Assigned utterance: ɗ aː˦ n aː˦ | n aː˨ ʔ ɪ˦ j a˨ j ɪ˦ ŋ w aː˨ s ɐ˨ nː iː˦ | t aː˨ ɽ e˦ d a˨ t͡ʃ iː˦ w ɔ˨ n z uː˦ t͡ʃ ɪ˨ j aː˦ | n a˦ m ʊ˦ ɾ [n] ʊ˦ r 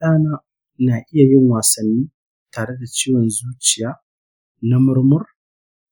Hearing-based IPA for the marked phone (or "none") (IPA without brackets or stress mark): m